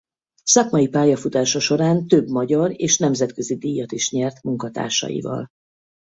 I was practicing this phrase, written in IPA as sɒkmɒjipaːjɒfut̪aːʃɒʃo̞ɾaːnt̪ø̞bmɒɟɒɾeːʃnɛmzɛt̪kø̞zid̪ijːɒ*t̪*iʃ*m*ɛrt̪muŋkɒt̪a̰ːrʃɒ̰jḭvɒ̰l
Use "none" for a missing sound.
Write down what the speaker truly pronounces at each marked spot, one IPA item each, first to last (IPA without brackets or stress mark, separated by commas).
t̪, ɲ